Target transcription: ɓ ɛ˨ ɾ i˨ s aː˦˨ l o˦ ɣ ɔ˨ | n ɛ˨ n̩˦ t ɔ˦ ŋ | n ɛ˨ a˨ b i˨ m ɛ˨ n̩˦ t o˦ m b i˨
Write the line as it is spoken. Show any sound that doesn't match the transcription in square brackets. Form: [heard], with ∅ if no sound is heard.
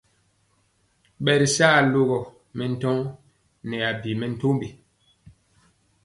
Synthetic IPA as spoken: ɓ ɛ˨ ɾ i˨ s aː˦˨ l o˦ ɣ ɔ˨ | [m] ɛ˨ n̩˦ t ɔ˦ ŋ | n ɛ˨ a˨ b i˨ m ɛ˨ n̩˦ t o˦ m b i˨